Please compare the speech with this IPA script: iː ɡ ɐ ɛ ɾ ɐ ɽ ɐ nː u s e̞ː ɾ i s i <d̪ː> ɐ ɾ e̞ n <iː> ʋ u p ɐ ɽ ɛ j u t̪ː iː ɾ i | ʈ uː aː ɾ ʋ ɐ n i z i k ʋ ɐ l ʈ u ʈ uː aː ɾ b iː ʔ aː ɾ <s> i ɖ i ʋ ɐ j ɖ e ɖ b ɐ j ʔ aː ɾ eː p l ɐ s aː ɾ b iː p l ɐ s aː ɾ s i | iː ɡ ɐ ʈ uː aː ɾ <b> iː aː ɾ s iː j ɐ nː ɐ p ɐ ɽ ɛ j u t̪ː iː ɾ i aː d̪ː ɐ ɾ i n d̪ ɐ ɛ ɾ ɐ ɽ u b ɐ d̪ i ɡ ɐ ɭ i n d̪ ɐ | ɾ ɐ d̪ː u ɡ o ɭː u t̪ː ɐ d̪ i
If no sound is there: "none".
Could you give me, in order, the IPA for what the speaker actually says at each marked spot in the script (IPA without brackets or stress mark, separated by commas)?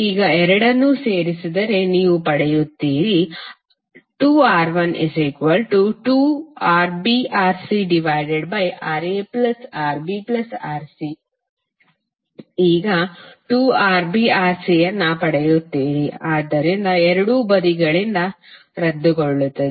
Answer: d̪, iː, s, b